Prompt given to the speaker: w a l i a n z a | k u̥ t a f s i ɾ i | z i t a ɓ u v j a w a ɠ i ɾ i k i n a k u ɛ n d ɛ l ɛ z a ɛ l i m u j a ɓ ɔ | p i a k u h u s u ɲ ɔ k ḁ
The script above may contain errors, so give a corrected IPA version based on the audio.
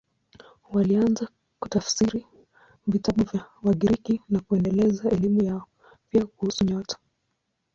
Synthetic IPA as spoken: w a l i a n z a | k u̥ t a f s i ɾ i | v i t a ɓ u v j a w a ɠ i ɾ i k i n a k u ɛ n d ɛ l ɛ z a ɛ l i m u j a ɔ | p i a k u h u s u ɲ ɔ t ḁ

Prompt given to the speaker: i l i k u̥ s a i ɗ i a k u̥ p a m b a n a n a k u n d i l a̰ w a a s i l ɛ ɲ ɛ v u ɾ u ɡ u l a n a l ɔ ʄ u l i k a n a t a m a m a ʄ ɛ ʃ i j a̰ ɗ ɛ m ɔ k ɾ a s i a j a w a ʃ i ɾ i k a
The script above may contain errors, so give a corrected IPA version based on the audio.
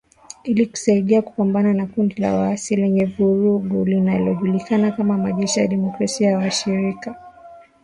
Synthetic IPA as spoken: i l i k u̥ s a i ɗ i a k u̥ p a m b a n a n a k u n d i l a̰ w a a s i l ɛ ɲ ɛ v u ɾ u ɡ u l i n a l ɔ ʄ u l i k a n a k a m a m a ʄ ɛ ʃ i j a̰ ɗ ɛ m ɔ k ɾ a s i a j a w a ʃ i ɾ i k a

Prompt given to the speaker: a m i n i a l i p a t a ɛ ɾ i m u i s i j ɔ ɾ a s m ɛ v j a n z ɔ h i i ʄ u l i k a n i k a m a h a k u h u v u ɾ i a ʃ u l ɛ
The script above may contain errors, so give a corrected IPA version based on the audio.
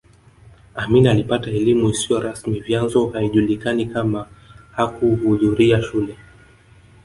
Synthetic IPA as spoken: a m i n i a l i p a t a ɛ l i m u i s i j ɔ ɾ a s m i v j a n z ɔ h a i ʄ u l i k a n i k a m a h a k u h u ð u ɾ i a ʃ u l ɛ

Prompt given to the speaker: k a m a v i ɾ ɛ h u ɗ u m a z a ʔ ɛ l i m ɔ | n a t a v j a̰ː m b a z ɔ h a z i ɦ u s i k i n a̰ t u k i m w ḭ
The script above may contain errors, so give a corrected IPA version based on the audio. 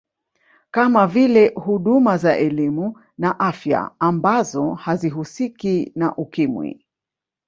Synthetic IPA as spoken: k a m a v i l ɛ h u ɗ u m a z a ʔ ɛ l i m u | n a ʔ a f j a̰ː m b a z ɔ h a z i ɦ u s i k i n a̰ ʔ u k i m w ḭ

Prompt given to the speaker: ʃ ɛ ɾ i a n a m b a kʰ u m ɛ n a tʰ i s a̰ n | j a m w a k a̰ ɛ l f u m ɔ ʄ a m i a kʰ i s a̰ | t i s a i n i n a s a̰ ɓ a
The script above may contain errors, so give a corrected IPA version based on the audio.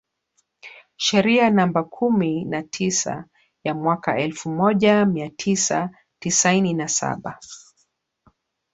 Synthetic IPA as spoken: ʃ ɛ ɾ i a n a m b a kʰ u m i n a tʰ i s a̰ | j a m w a k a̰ ɛ l f u m ɔ ʄ a m i a tʰ i s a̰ | t i s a i n i n a s a̰ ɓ a

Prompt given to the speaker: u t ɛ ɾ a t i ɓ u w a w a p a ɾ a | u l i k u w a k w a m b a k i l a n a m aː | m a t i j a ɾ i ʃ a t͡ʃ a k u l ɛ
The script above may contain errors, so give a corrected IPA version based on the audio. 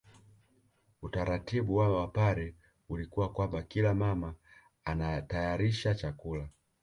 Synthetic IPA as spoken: u t a ɾ a t i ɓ u w a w a p a ɾ ɛ | u l i k u w a k w a m b a k i l a m a m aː | n a t a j a ɾ i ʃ a t͡ʃ a k u l a

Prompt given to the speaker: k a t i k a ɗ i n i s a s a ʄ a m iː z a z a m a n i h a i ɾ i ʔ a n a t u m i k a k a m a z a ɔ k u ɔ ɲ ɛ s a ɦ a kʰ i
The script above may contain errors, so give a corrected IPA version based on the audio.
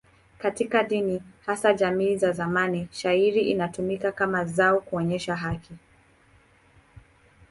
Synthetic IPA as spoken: k a t i k a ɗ i n i h a s a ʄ a m iː z a z a m a n i ʃ a i ɾ i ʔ i n a t u m i k a k a m a z a ɔ k u ɔ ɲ ɛ ʃ a ɦ a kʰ i

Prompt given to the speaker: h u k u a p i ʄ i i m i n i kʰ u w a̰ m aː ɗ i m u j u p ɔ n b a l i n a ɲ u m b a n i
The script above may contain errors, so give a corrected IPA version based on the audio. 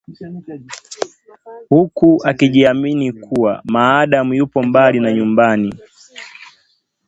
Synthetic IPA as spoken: h u k u a k i ʄ i a m i n i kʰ u w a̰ m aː ɗ a m u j u p ɔ m b a l i n a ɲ u m b a n i

